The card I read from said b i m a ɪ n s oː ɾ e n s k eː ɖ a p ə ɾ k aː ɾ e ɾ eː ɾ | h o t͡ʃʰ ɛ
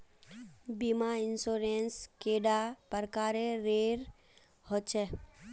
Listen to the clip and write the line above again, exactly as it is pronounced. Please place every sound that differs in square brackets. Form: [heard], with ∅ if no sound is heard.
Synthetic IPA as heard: b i m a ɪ n s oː ɾ e n s k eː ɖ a p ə ɾ k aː ɾ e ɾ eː ɾ | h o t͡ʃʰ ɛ